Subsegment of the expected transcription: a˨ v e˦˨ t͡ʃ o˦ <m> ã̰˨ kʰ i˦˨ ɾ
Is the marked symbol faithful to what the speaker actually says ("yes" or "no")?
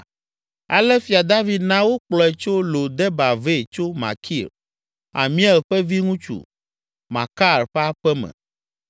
yes